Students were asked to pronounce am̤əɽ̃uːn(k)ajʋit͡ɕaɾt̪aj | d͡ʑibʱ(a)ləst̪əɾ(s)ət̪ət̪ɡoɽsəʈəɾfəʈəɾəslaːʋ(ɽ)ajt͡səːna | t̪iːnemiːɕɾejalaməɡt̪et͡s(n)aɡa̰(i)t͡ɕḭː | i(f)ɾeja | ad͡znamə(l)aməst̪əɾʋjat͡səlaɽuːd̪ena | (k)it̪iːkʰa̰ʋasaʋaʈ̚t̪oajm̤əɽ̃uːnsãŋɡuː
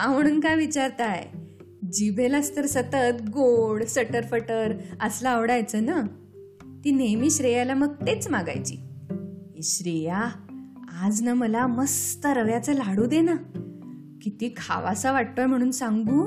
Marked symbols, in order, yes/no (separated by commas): yes, no, yes, yes, no, no, no, yes, yes